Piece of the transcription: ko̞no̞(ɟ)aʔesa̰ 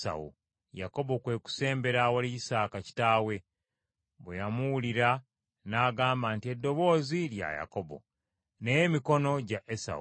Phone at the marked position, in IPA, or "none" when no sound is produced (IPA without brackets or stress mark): ɟ